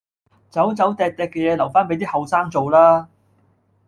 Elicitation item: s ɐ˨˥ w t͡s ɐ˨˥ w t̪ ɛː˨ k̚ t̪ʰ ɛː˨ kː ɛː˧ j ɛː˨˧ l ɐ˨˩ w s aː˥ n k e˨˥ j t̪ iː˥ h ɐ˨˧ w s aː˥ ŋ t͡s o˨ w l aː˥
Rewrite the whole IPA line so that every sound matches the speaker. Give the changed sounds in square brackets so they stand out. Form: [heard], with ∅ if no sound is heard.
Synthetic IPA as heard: [t͡s] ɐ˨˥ w t͡s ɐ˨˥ w t̪ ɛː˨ k̚ [t̪] ɛː˨ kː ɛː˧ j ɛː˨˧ l ɐ˨˩ w [f] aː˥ n [p] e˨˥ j t̪ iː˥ h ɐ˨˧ w s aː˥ ŋ t͡s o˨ w l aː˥